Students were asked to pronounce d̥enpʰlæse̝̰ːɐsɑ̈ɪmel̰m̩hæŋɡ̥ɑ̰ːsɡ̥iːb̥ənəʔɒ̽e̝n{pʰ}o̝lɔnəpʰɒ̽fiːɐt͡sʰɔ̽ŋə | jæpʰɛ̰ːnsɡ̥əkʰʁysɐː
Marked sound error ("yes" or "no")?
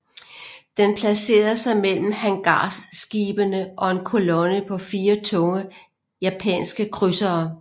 yes